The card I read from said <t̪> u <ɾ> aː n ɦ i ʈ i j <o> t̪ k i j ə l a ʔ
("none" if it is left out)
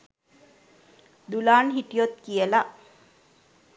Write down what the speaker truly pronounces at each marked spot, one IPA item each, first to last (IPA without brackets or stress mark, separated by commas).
d̪, l, o